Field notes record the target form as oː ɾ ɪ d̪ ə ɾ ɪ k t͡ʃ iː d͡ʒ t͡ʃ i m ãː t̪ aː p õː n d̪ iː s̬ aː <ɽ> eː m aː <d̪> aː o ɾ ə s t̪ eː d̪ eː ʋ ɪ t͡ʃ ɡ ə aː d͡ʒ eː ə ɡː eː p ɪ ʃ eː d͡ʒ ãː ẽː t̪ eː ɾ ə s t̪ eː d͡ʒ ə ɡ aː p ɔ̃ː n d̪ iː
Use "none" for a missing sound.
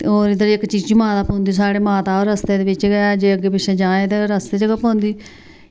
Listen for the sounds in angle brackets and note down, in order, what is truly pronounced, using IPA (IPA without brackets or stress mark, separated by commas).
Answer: ɽ, t̪